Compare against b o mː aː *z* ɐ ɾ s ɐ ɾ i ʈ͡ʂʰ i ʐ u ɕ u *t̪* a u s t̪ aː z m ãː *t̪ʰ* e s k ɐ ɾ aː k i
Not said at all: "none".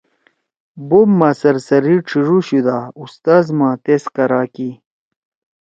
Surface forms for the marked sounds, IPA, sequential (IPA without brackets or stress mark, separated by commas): s, d̪, t̪